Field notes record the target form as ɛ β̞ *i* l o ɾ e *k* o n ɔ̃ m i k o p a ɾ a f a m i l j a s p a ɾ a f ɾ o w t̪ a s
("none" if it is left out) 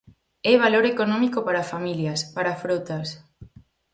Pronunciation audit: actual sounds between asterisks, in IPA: a, k

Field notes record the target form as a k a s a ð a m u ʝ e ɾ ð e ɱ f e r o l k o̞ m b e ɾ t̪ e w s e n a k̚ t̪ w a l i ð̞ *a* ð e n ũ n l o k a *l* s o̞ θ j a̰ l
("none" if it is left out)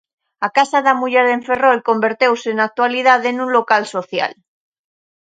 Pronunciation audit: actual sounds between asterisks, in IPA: a, l

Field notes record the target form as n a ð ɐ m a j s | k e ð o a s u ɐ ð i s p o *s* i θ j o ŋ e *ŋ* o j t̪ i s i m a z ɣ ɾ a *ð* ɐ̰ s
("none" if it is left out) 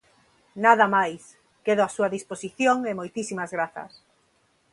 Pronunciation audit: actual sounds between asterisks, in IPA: s, m, θ

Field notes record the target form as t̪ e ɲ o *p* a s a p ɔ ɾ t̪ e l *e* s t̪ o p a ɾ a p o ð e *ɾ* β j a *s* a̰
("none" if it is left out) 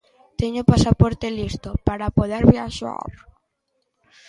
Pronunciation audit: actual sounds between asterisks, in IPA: p, i, ɾ, ʃ

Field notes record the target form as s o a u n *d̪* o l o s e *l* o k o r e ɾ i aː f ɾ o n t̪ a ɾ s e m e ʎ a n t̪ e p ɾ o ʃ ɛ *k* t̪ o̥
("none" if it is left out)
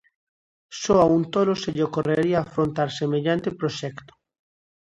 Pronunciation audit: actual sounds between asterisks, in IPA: t̪, ʎ, k

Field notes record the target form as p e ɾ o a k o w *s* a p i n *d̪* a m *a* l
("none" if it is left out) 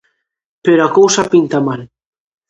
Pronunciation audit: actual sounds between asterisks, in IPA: s, t̪, a

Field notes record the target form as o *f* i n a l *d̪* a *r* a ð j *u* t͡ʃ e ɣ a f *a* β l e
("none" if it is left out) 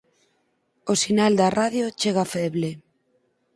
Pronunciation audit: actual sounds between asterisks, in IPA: s, d̪, r, o, ɛ

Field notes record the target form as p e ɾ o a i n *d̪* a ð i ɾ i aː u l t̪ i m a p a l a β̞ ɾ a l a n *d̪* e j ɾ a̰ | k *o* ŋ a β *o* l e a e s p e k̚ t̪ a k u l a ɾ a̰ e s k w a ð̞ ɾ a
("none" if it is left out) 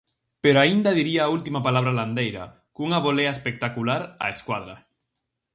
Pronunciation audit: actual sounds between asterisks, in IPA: d̪, d̪, u, o

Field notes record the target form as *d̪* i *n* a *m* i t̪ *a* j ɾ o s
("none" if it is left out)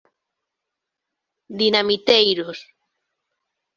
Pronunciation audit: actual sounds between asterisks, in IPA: d̪, n, m, e

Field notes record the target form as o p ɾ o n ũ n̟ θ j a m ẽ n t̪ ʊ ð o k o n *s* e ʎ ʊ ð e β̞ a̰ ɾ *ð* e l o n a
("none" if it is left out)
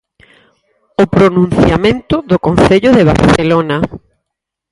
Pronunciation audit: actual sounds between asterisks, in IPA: θ, θ

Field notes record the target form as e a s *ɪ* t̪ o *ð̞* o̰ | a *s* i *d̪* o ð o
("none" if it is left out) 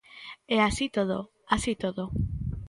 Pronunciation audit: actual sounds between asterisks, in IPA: i, ð̞, s, t̪

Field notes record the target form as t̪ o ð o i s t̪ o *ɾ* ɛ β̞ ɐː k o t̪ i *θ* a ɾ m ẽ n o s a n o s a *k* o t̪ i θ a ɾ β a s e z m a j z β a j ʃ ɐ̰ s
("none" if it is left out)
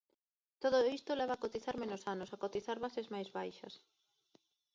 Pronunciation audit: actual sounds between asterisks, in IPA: l, θ, k

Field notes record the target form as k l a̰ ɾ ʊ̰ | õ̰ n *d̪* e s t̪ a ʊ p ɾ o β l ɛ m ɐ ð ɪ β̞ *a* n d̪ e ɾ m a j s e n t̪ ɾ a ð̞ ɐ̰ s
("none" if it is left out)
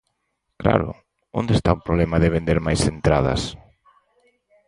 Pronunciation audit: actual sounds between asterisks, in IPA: d̪, e

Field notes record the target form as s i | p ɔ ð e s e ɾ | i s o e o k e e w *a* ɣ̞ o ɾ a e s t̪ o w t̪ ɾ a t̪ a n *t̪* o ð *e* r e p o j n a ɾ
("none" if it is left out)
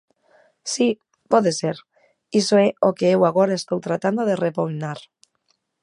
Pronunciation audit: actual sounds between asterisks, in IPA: a, d̪, e

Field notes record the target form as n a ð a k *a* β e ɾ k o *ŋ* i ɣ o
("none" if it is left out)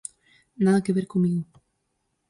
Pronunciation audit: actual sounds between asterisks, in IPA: e, m

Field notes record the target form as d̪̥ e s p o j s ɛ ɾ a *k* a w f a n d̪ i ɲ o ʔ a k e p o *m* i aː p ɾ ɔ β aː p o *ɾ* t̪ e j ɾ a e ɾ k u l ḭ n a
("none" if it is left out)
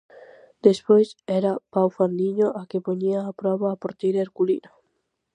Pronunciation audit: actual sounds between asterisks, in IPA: p, ɲ, ɾ

